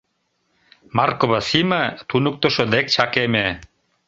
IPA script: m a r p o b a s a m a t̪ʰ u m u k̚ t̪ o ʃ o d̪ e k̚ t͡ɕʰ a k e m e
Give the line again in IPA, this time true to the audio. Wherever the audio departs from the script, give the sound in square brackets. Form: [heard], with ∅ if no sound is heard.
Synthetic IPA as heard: m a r [k] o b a s [i] m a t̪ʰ u [n] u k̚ t̪ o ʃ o d̪ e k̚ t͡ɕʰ a k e m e